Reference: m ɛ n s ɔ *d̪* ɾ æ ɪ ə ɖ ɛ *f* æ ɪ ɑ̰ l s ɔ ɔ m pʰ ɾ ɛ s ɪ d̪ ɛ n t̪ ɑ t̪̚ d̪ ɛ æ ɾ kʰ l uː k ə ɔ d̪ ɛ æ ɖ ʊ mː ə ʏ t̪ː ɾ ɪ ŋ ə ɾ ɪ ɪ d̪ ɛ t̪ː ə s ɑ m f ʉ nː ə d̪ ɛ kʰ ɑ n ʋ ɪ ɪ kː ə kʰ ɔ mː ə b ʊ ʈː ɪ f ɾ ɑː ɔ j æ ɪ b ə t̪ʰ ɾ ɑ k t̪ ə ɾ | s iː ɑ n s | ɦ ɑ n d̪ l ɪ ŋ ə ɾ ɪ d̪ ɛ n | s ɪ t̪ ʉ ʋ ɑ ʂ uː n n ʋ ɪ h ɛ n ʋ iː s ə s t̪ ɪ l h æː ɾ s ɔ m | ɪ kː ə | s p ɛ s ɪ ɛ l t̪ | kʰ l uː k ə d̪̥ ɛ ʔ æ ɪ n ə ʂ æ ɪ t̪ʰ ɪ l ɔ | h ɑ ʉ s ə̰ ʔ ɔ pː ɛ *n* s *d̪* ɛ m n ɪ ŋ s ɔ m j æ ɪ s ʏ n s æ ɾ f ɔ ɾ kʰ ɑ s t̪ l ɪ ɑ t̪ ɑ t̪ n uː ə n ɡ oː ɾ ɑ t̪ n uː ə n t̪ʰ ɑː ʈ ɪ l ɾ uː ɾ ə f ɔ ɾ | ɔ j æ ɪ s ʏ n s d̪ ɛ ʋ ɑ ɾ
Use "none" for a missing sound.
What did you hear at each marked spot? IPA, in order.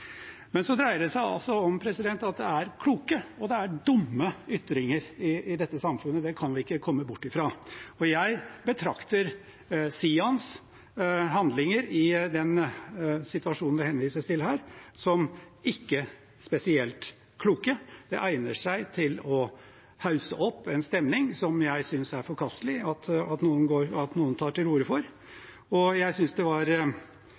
d̪, s, n, t̪

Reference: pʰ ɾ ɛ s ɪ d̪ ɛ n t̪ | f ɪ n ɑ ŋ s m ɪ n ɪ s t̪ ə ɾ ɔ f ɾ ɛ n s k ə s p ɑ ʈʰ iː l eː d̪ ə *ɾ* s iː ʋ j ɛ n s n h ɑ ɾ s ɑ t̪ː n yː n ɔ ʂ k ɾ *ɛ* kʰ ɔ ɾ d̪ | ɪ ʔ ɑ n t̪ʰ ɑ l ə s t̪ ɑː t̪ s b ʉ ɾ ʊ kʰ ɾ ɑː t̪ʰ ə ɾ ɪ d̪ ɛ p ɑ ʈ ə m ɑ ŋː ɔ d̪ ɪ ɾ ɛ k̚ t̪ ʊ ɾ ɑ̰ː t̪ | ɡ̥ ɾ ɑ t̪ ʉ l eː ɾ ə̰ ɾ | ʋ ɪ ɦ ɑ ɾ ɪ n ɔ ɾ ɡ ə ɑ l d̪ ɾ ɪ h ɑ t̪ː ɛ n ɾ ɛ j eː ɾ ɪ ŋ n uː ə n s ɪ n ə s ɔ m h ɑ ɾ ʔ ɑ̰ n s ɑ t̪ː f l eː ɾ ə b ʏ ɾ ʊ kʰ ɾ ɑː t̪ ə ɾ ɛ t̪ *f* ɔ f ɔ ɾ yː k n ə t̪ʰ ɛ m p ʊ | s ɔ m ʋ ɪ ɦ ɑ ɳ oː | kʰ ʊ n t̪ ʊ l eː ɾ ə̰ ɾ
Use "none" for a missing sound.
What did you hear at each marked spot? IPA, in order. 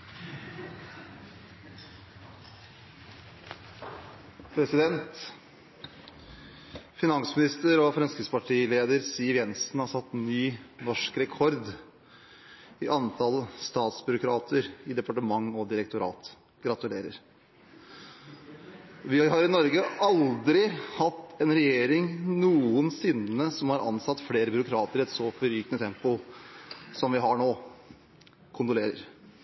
ɾ, ɛ, s

